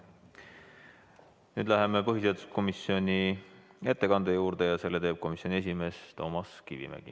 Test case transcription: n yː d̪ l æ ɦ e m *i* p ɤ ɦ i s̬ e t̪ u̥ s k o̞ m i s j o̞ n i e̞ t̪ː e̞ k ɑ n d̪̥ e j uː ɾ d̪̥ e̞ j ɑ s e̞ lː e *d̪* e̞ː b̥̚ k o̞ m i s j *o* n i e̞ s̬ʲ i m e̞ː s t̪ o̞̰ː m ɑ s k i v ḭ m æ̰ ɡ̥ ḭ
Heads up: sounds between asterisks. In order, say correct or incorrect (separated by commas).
incorrect, incorrect, correct